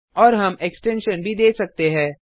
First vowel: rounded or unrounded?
rounded